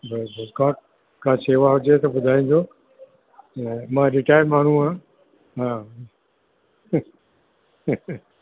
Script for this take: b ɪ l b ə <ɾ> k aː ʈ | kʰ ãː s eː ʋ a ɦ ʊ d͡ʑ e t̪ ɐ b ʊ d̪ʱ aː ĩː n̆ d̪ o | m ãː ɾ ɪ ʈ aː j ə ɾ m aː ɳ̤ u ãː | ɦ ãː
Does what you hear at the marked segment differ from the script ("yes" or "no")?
yes